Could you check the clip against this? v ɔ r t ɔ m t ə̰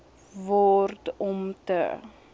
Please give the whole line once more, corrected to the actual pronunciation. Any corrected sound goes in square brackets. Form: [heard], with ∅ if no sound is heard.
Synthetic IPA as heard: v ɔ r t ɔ m t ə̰